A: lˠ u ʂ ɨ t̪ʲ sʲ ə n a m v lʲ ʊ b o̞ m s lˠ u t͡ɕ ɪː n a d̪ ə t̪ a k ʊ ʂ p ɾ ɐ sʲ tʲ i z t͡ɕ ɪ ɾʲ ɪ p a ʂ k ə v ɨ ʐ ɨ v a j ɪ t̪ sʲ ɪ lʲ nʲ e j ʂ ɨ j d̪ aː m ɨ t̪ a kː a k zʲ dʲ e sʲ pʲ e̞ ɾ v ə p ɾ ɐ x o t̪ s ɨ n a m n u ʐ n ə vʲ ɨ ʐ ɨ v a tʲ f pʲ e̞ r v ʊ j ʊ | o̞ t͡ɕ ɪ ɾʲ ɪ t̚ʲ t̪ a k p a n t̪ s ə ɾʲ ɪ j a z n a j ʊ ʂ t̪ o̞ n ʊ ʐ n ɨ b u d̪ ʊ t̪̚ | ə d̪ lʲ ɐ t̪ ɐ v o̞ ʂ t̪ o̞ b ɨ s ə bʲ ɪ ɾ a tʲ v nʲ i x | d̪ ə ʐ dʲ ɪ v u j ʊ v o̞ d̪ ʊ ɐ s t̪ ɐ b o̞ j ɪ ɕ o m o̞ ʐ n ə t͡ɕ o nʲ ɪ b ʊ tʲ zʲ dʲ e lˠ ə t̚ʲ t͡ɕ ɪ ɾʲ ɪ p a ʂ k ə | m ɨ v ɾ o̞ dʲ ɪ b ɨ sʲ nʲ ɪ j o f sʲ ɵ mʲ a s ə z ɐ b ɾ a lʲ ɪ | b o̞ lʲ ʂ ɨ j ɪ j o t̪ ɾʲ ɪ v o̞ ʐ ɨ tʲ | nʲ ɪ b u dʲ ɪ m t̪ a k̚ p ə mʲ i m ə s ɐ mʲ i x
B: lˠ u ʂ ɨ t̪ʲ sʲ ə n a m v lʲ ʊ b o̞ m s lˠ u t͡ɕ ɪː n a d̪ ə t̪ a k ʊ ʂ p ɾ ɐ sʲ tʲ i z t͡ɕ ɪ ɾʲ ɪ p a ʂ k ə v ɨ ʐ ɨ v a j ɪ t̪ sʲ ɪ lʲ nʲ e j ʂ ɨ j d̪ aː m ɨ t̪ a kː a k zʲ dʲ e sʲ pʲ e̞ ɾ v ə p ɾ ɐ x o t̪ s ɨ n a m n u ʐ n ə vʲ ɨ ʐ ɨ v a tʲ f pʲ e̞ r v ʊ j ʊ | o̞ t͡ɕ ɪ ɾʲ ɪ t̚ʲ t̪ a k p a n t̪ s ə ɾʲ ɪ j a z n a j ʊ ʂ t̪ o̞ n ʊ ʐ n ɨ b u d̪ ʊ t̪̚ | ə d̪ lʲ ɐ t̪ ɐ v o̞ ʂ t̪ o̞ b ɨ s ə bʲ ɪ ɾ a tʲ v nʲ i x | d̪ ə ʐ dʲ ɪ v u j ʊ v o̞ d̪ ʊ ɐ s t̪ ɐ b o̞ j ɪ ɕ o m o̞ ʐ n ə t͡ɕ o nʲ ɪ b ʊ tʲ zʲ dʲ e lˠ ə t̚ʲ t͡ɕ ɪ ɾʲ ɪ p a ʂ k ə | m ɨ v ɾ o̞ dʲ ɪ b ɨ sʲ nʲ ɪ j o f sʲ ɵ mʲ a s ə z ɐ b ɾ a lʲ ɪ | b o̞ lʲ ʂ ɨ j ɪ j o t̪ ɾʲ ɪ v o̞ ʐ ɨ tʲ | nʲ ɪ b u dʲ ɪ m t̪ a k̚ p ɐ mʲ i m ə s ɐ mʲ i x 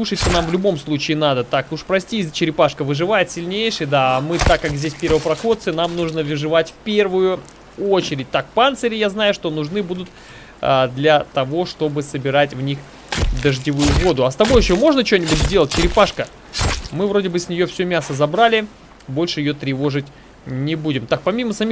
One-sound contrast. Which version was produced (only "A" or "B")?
B